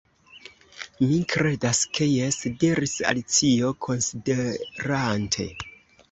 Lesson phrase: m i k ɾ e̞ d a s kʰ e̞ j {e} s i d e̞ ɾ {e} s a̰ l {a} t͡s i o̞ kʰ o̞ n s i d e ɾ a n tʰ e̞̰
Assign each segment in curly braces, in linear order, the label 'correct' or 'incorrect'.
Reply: correct, incorrect, incorrect

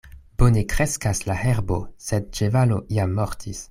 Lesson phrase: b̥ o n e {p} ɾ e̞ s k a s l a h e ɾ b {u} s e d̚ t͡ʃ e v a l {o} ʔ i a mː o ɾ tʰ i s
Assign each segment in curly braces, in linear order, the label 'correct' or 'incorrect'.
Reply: incorrect, incorrect, correct

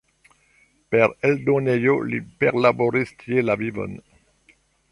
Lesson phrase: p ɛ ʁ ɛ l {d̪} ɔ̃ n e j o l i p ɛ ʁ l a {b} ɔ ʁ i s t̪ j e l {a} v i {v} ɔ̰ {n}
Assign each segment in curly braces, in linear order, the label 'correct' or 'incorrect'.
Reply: correct, correct, correct, correct, correct

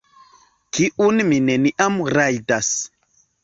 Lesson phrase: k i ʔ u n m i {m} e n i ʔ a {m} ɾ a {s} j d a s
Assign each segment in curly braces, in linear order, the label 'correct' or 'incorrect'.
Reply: incorrect, correct, incorrect

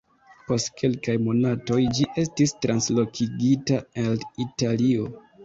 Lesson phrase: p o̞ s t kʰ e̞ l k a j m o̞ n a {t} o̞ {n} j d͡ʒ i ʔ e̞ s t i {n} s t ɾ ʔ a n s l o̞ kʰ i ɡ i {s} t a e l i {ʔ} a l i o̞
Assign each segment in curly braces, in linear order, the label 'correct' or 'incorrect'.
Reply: correct, incorrect, incorrect, incorrect, incorrect

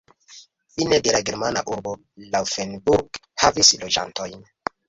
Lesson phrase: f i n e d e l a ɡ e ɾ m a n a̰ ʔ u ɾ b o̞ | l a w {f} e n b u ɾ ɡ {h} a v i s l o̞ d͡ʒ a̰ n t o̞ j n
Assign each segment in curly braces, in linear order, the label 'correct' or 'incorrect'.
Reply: correct, correct

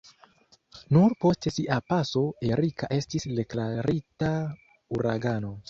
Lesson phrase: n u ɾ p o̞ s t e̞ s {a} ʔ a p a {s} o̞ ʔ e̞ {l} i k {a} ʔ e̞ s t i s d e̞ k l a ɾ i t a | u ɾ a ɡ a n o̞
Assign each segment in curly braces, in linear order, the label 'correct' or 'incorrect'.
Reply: incorrect, correct, incorrect, correct

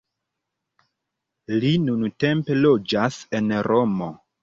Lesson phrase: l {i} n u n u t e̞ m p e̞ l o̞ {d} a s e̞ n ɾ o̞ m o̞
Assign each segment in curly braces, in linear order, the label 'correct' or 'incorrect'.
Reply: correct, incorrect

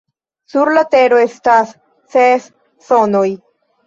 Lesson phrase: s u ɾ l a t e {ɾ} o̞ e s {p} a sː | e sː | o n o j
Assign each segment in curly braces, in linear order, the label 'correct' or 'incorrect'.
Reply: correct, incorrect

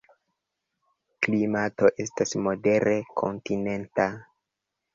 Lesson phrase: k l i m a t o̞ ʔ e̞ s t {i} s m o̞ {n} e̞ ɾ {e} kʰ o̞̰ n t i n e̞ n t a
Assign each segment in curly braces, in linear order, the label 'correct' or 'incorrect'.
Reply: incorrect, incorrect, correct

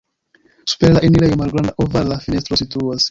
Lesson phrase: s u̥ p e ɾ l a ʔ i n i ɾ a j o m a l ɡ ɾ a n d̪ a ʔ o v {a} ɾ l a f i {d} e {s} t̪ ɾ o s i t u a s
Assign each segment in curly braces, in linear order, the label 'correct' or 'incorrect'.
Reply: correct, incorrect, correct

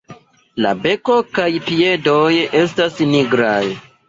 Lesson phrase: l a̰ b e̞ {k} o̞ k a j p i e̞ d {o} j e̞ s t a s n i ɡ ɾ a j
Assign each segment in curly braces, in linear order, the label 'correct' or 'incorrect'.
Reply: correct, correct

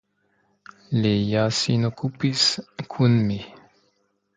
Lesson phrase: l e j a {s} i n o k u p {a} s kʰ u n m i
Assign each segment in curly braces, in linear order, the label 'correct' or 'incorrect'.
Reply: correct, incorrect

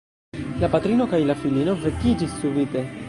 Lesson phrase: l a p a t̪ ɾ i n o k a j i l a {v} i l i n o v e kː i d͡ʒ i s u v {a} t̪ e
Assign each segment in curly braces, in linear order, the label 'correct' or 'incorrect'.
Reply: incorrect, incorrect

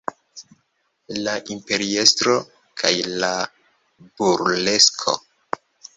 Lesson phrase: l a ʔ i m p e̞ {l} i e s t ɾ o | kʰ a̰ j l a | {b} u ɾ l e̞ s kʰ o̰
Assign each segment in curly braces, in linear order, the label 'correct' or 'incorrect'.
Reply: incorrect, correct

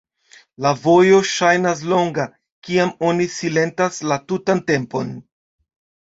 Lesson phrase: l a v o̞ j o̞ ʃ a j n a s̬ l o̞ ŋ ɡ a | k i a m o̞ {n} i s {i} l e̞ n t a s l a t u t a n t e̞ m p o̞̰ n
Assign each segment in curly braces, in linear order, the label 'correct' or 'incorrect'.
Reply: correct, correct

